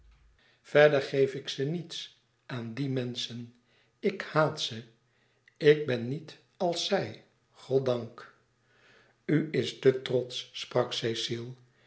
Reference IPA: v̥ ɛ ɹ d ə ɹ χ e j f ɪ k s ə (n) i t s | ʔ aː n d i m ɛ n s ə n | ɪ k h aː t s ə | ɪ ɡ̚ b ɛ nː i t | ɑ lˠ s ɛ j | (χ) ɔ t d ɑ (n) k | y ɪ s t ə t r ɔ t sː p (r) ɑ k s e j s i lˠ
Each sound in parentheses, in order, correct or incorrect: correct, correct, incorrect: ŋ, correct

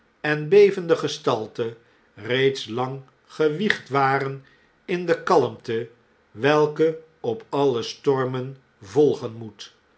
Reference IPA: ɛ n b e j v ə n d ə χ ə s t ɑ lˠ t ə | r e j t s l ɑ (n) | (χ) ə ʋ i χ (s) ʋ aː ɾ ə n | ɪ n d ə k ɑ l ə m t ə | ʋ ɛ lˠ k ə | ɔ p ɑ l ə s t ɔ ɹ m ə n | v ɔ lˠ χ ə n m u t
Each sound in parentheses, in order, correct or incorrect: incorrect: ŋ, correct, incorrect: t

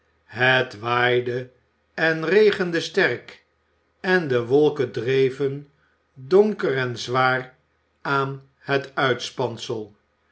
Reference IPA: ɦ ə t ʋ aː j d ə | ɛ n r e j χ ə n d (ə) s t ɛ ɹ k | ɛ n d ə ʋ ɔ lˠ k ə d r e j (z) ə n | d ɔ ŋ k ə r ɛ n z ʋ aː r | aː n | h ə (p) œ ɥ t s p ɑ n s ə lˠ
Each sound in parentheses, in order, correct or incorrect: correct, incorrect: v, incorrect: t

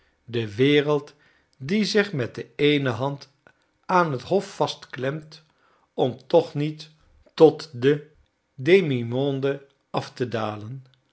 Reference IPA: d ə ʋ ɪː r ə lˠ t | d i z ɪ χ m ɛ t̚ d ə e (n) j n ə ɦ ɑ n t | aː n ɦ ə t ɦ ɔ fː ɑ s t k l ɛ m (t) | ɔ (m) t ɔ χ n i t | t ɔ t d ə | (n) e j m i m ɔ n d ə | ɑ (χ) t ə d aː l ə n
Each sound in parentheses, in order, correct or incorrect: incorrect: none, correct, correct, incorrect: d, incorrect: f

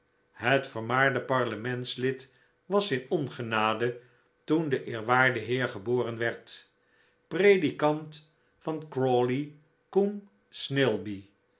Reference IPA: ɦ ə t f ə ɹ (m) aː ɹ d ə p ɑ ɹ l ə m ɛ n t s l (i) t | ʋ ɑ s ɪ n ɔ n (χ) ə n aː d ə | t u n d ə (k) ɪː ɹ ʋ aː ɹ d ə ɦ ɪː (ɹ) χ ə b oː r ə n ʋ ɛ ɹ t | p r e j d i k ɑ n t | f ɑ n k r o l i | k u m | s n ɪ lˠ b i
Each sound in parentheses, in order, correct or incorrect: correct, incorrect: ɪ, correct, incorrect: ʔ, correct

